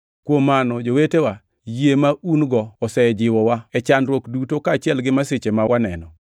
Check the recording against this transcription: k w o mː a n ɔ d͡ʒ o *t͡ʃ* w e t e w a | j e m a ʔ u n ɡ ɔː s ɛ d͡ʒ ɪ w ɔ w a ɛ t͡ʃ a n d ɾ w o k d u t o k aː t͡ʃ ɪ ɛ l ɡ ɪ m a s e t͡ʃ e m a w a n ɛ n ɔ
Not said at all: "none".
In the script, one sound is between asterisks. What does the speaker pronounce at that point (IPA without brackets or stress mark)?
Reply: none